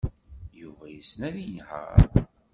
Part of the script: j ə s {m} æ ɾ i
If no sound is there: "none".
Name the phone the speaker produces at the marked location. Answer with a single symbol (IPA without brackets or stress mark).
n